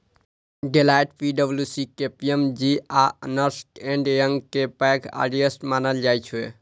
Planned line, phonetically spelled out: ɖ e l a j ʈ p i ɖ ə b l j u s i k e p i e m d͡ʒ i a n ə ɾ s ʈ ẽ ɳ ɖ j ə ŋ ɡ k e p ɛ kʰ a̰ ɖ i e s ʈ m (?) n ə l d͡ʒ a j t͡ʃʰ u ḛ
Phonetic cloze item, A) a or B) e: A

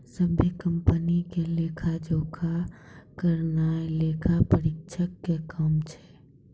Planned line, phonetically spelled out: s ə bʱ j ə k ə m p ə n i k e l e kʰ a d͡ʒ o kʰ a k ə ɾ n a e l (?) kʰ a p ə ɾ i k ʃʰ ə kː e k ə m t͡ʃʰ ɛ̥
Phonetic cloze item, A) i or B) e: B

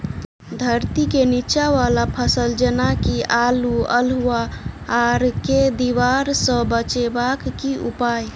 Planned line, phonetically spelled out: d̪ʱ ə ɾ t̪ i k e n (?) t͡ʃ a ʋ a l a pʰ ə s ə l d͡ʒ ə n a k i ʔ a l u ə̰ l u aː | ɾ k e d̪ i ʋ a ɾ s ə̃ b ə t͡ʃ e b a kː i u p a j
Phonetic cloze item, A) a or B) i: B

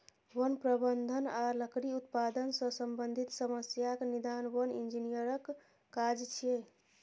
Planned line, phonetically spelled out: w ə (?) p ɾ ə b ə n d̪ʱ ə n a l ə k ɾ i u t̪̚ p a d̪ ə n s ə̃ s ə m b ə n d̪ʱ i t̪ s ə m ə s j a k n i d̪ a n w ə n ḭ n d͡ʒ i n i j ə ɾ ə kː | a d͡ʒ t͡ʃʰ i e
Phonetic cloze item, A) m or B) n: B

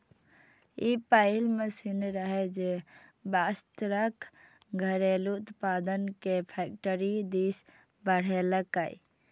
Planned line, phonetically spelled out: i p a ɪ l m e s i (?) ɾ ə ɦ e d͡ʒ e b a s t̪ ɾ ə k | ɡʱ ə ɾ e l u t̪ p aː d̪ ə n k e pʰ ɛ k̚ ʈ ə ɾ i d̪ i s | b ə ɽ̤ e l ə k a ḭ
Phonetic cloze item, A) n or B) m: A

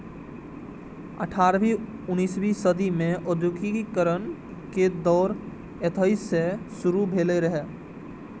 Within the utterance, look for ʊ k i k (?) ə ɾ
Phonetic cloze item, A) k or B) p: A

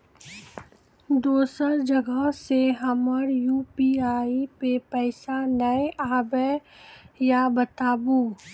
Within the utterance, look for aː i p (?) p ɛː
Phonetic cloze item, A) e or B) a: A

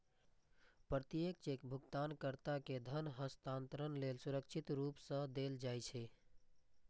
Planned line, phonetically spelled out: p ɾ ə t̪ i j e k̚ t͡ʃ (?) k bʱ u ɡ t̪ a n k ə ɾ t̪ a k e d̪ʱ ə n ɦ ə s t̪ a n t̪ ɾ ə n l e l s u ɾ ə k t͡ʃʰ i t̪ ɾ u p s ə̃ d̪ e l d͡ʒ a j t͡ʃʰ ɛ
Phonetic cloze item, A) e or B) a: A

